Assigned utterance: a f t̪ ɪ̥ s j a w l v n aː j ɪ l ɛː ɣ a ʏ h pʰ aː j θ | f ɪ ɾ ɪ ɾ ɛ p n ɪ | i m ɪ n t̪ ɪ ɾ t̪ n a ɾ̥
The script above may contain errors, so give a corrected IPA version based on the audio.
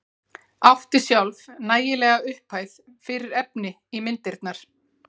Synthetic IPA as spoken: a f t̪ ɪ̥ s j a w l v n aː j ɪ l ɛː ɣ a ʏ h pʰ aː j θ | f ɪ ɾ ɪ ɾ ɛ p n ɪ | i m ɪ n t̪ ɪ ɾ t̪ n a ɾ̥